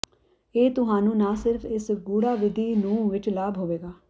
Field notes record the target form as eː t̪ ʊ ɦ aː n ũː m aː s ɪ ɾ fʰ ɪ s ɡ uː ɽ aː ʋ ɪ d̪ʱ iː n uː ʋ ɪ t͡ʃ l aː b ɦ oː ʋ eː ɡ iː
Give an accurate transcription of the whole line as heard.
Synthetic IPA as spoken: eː t̪ ʊ ɦ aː n ũː n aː s ɪ ɾ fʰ ɪ s ɡ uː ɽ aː ʋ ɪ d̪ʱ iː n ũː ʋ ɪ t͡ʃ l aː b ɦ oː ʋ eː ɡ aː